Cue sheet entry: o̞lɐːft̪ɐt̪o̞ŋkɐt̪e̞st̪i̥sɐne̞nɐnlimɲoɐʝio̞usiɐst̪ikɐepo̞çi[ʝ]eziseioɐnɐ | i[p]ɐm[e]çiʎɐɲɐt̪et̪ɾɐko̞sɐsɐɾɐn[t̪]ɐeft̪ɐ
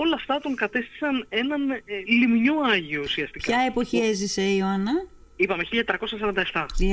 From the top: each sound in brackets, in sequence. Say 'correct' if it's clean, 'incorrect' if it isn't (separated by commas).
incorrect, correct, correct, incorrect